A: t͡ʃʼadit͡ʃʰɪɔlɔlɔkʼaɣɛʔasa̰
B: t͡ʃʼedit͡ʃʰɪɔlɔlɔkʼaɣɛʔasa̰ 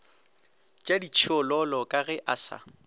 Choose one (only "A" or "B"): A